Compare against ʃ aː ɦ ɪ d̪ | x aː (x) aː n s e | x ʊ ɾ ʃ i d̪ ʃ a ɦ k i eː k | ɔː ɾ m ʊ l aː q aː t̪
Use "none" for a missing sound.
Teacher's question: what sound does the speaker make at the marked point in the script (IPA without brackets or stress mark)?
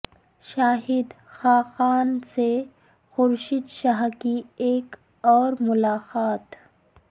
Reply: x